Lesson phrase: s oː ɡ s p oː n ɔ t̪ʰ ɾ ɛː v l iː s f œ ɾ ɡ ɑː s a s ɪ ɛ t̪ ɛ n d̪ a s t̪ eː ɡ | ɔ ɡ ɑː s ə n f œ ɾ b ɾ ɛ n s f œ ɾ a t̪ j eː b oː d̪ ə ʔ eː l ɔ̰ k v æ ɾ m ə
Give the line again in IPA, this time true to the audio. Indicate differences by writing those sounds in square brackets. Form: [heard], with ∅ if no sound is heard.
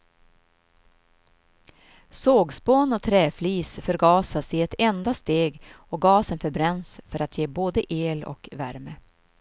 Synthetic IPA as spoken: s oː ɡ s p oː n ɔ t̪ʰ ɾ ɛː [f] l iː s f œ ɾ ɡ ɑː s a s ɪ ɛ t̪ ɛ n d̪ a s t̪ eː ɡ | ɔ ɡ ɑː s ə n f œ ɾ b ɾ ɛ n s f œ ɾ a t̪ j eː b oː d̪ ə ʔ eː l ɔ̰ k v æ ɾ m ə

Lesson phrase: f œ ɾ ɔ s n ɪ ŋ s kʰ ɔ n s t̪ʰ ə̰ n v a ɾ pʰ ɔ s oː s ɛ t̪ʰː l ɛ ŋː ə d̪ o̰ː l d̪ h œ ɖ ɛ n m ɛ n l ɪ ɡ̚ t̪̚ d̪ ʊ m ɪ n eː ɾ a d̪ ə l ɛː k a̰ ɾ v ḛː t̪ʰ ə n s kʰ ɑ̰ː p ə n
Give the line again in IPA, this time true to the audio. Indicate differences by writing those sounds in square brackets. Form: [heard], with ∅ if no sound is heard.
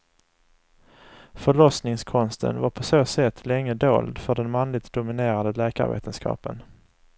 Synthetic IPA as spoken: f œ [ɭ] ɔ s n ɪ ŋ s kʰ ɔ n s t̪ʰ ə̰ n v a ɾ pʰ ɔ s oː s ɛ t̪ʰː l ɛ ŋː ə d̪ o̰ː l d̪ [f] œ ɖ ɛ n m [a] n l ɪ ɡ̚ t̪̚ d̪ ʊ m ɪ n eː ɾ a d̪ ə l ɛː k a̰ ɾ v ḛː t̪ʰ ə n s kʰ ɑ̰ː p ə n

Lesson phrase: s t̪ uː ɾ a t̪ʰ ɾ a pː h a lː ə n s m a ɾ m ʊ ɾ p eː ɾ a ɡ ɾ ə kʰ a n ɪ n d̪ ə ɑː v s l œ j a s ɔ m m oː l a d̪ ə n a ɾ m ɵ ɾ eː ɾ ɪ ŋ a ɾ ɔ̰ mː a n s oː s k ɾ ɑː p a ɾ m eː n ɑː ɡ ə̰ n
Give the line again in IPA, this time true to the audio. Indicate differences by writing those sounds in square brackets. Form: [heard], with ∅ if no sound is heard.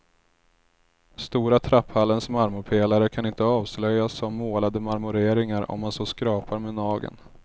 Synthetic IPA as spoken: s t̪ uː ɾ a t̪ʰ ɾ a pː h a lː ə n s m a ɾ m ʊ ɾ [pʰ] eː [l] a [∅] ɾ ə kʰ a n ɪ n [t̪] ə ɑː v s l œ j a s ɔ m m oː l a d̪ ə [m] a ɾ m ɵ ɾ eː ɾ ɪ ŋ a ɾ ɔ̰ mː a n s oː s k ɾ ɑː p a ɾ m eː n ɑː ɡ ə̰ n

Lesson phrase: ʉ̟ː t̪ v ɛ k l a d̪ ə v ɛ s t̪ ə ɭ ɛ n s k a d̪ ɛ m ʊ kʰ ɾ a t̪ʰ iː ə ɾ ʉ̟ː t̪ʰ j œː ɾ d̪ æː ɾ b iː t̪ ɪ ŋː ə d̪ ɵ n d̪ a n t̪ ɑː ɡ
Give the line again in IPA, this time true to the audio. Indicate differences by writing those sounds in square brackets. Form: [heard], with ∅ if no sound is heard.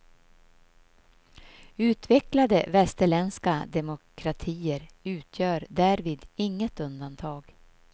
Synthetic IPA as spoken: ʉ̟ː t̪ v ɛ k l a d̪ ə v ɛ s t̪ ə ɭ ɛ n s k a d̪ ɛ m ʊ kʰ ɾ a t̪ʰ iː ə ɾ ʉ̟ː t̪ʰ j œː ɾ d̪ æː ɾ [v] iː [d̪] ɪ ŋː ə [t̪] ɵ n d̪ a n [t̪ʰ] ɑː ɡ

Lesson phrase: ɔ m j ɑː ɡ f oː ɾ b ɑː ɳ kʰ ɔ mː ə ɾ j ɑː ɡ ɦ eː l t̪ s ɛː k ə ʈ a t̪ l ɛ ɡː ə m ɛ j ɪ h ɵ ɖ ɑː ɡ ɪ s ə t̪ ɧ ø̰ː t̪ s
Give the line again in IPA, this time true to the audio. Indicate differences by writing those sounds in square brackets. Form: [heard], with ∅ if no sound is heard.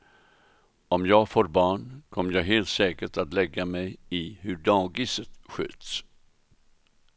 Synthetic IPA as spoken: ɔ m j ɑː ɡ f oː ɾ b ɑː ɳ kʰ ɔ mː ə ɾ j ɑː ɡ ɦ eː l t̪ s ɛː k ə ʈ a t̪ l ɛ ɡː [a] m ɛ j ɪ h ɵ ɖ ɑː ɡ ɪ s ə t̪ ɧ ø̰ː t̪ s

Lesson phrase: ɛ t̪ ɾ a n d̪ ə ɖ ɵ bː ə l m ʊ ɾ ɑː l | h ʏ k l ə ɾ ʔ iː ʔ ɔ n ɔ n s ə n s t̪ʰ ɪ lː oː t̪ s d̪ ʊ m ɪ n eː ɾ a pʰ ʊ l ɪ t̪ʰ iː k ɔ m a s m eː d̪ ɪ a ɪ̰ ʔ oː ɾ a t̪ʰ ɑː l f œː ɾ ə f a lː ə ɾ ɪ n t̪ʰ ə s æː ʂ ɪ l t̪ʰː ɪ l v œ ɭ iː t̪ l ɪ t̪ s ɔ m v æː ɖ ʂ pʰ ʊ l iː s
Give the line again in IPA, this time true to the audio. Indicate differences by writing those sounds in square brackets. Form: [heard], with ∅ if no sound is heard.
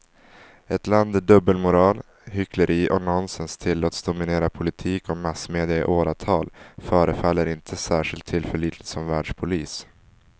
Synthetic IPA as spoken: ɛ t̪ [l] a n d̪ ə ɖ ɵ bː ə l m ʊ ɾ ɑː l | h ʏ k l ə ɾ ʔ iː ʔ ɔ n ɔ n s ə n s t̪ʰ ɪ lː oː t̪ s d̪ ʊ m ɪ n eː ɾ a pʰ ʊ l ɪ t̪ʰ iː k ɔ m a s m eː d̪ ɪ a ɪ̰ ʔ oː ɾ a t̪ʰ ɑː l f œː ɾ ə f a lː ə ɾ ɪ n t̪ʰ ə s æː ʂ ɪ l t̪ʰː ɪ l [f] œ ɭ iː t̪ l ɪ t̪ s ɔ m v æː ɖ ʂ pʰ ʊ l iː s

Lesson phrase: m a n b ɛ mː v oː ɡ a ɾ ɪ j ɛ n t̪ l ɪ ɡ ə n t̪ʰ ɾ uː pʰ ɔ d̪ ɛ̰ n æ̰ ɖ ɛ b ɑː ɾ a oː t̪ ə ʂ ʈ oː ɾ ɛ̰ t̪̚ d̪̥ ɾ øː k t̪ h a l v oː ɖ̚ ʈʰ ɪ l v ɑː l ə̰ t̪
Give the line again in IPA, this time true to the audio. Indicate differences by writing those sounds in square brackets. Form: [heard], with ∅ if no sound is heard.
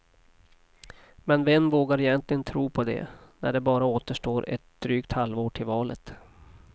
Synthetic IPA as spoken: m [ɛ] n [v] ɛ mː v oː ɡ a ɾ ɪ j ɛ n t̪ l ɪ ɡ ə n t̪ʰ ɾ uː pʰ ɔ d̪ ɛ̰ n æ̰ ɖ ɛ b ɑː ɾ a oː t̪ ə ʂ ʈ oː ɾ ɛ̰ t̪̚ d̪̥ ɾ [yː] k t̪ h a l v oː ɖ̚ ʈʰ ɪ l v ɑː l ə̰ t̪

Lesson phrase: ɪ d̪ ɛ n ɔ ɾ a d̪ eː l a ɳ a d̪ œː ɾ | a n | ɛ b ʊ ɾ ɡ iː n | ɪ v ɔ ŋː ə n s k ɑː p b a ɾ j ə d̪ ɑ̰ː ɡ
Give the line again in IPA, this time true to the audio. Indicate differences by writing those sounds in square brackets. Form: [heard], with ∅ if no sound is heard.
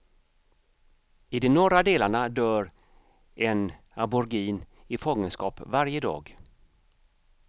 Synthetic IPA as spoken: ɪ d̪ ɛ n ɔ ɾ a d̪ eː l a ɳ a d̪ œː ɾ | [ɛ] n | [a] b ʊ ɾ ɡ iː n | ɪ [f] ɔ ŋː ə n s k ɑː p [v] a ɾ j ə d̪ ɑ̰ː ɡ

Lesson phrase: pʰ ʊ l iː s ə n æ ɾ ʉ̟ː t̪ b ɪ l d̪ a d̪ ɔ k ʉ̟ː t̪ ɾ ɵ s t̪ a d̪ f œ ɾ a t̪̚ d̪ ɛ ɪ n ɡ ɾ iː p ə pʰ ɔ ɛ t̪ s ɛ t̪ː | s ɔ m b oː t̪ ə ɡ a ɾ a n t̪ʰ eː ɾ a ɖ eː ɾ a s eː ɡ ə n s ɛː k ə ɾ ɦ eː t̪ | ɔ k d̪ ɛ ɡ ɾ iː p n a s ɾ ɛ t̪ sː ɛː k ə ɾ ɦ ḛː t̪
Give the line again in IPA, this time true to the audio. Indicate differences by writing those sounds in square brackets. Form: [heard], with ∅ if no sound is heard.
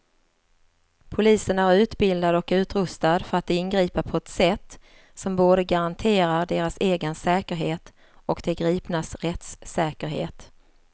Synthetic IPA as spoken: pʰ ʊ l iː s ə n æ ɾ ʉ̟ː t̪ b ɪ l d̪ a d̪ ɔ k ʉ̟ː t̪ ɾ ɵ s t̪ a d̪ f œ ɾ a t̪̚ d̪ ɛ ɪ n ɡ ɾ iː p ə pʰ ɔ ɛ t̪ s ɛ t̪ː | s ɔ m b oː [d̪] ə ɡ a ɾ a n t̪ʰ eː ɾ a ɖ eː ɾ a s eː ɡ ə n s ɛː k ə ɾ ɦ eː t̪ | ɔ k d̪ ɛ ɡ ɾ iː p n a s ɾ ɛ t̪ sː ɛː k ə ɾ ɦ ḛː t̪

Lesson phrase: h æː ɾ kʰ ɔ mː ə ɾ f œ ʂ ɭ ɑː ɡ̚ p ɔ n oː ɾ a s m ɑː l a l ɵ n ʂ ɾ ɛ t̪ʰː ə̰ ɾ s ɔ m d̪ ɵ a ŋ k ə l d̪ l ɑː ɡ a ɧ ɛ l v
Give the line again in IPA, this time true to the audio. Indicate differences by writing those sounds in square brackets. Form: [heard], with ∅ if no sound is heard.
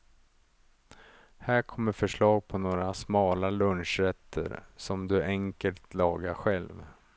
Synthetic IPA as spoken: h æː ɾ kʰ ɔ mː ə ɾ f œ ʂ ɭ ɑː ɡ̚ [pʰ] ɔ n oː ɾ a s m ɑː l a l ɵ n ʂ ɾ ɛ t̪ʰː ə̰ ɾ s ɔ m d̪ ɵ [ɛ] ŋ k ə l [t̪] l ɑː ɡ a ɧ ɛ l v

